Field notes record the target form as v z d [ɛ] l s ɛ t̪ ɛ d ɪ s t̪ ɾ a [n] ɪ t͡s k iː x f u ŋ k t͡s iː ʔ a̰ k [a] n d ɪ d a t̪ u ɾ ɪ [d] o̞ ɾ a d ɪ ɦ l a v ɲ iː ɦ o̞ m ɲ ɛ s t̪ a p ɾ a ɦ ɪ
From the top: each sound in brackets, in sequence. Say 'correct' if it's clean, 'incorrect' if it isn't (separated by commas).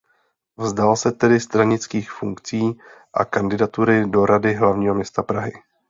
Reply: incorrect, incorrect, correct, correct